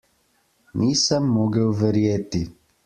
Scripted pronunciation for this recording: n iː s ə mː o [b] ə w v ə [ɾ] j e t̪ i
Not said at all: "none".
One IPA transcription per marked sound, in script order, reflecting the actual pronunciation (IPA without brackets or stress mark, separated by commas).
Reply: ɡ, ɾ